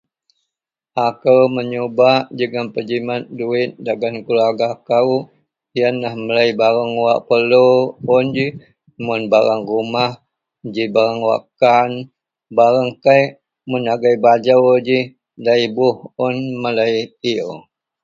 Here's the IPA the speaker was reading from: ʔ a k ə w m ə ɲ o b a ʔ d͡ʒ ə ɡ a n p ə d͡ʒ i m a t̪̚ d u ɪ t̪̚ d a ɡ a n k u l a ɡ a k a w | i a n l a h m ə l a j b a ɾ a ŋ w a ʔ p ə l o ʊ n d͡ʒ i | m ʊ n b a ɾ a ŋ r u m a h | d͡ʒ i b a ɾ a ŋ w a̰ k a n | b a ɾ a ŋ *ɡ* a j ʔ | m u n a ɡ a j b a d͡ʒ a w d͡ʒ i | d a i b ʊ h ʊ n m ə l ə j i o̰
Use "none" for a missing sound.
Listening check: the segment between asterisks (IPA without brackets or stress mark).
k